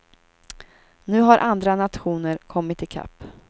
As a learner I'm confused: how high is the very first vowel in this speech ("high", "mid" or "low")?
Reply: high